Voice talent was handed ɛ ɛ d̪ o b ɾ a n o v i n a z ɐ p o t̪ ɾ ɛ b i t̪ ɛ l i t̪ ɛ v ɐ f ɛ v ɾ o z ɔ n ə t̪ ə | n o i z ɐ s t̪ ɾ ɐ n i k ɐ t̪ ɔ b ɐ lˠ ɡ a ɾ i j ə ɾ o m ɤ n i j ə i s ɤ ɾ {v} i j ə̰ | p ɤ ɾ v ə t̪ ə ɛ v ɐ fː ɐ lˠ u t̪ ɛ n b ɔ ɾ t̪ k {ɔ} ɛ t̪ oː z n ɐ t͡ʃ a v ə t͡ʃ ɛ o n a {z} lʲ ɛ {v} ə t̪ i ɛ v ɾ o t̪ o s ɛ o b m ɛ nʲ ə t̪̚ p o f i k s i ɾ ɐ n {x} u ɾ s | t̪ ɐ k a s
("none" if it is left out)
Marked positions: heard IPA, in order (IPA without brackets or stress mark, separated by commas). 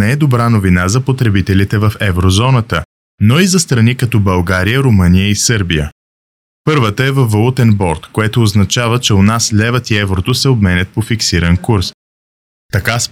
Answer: b, o, s, v, k